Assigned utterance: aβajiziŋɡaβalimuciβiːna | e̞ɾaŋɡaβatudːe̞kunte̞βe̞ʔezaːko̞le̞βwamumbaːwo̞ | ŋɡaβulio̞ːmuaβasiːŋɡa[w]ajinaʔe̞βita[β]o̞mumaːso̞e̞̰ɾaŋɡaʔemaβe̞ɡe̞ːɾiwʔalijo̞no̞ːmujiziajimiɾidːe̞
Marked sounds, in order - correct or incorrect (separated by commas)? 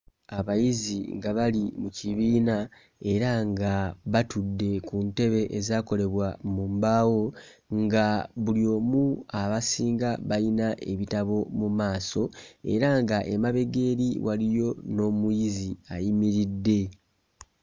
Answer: incorrect, correct